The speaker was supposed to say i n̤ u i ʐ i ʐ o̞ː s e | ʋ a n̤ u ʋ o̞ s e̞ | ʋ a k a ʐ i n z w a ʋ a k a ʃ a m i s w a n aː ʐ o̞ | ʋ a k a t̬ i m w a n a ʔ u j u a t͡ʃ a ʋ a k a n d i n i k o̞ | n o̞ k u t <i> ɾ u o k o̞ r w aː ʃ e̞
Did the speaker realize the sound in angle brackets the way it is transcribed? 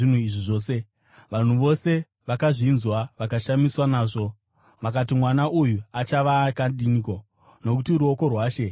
yes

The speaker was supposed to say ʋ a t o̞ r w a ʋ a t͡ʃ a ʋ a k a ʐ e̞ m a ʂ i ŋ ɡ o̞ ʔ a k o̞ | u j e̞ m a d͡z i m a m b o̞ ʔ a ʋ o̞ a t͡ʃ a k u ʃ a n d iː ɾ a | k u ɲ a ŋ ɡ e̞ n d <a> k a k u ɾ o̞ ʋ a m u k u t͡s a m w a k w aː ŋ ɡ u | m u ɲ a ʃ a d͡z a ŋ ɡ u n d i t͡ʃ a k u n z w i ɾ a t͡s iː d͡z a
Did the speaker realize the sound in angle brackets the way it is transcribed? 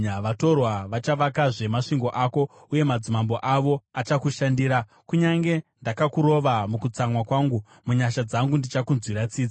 yes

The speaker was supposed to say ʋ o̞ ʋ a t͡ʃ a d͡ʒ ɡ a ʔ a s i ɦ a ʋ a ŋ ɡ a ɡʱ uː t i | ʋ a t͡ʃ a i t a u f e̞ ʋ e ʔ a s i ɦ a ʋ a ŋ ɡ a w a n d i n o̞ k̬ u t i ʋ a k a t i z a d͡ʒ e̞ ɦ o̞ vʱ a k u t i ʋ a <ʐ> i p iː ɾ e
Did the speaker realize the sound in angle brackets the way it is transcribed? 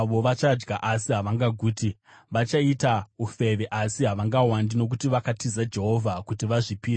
yes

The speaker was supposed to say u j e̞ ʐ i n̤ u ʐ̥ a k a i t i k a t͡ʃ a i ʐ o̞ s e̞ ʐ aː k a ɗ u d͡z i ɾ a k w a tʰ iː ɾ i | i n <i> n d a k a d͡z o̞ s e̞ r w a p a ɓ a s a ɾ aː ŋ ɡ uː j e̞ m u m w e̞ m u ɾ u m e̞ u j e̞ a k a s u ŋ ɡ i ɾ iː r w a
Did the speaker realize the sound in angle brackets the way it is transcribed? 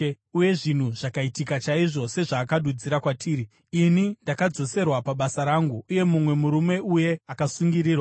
yes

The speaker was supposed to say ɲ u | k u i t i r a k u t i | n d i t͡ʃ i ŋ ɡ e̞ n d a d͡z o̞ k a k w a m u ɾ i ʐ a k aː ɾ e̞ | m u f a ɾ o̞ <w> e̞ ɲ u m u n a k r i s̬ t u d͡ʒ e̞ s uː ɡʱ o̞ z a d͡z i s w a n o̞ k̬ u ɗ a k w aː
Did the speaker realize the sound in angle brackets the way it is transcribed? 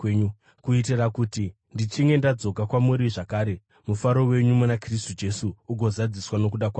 yes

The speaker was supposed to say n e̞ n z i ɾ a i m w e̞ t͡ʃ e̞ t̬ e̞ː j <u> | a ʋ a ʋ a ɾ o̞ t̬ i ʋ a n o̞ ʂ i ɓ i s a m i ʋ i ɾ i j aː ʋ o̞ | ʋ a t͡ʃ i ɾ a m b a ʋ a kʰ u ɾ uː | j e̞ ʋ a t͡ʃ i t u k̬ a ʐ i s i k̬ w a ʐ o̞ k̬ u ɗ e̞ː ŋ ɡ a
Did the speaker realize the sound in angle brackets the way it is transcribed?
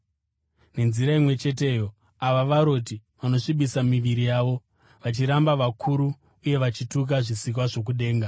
no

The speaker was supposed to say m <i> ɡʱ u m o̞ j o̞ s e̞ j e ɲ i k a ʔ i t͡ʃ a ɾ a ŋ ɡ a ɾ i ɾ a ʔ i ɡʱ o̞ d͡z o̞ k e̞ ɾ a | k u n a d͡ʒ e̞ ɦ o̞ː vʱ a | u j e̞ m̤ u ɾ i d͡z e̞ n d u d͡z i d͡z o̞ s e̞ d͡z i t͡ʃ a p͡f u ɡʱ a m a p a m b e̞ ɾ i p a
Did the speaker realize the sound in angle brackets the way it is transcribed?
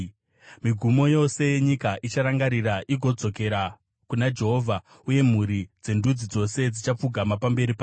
yes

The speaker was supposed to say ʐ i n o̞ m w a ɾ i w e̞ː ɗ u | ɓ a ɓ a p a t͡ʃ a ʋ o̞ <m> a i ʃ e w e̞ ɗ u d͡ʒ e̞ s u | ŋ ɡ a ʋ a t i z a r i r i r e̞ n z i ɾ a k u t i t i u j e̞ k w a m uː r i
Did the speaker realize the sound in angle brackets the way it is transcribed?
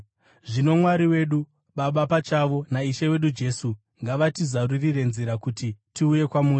no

